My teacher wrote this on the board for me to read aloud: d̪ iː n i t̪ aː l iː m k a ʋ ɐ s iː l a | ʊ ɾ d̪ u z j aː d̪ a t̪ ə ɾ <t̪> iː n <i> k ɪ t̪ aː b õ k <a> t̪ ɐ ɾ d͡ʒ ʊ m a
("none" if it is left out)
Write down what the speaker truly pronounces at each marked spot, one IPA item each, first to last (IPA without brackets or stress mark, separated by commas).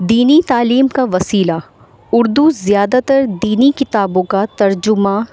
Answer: d̪, i, a